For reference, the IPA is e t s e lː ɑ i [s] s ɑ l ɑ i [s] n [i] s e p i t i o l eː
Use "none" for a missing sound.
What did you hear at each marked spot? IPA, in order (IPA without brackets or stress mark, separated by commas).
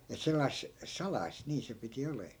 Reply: s, s, iː